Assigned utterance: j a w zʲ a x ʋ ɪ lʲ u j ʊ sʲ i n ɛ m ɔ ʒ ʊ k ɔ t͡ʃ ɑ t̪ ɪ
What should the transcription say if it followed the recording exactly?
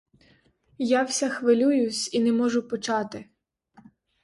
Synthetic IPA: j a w sʲ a x ʋ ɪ lʲ u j ʊ sʲ i n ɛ m ɔ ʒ ʊ p ɔ t͡ʃ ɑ t̪ ɪ